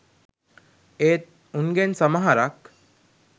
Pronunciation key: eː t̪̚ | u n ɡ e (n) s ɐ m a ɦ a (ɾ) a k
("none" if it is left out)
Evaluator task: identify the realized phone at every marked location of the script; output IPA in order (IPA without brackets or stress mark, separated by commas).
n, ɾ